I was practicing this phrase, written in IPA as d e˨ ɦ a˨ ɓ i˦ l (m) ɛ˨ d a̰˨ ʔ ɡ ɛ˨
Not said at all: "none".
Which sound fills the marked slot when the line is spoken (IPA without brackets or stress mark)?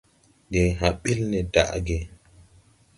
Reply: n